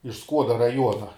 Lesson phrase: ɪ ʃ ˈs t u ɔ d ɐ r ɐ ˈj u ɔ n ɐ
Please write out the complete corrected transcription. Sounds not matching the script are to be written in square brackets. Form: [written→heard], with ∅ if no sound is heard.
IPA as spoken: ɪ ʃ ˈs [t→k] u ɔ d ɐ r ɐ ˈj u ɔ n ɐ